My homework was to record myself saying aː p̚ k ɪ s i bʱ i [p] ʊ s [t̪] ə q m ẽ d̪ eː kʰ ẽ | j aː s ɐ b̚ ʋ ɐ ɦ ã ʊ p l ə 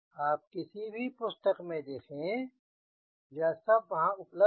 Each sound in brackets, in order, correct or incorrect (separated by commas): correct, correct